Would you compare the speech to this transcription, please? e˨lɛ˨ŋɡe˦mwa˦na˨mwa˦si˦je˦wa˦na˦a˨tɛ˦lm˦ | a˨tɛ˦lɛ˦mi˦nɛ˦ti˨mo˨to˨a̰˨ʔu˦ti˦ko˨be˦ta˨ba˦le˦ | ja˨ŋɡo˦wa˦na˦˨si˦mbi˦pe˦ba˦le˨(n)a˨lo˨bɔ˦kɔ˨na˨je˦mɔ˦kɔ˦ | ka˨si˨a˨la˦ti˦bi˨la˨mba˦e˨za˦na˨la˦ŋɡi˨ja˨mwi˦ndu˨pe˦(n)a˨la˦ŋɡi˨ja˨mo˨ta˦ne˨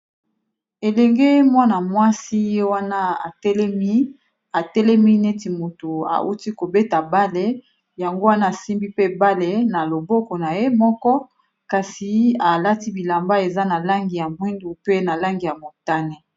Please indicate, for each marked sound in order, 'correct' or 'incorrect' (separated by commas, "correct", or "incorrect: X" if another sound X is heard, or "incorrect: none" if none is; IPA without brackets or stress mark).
correct, correct